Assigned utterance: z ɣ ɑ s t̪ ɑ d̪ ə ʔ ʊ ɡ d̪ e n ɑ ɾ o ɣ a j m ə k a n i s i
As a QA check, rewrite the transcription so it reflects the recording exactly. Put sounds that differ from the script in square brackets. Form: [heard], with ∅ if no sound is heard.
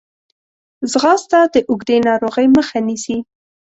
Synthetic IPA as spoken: z ɣ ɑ s t̪ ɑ d̪ ə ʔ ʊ ɡ d̪ e n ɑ ɾ o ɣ [ə] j m ə [x] a n i s i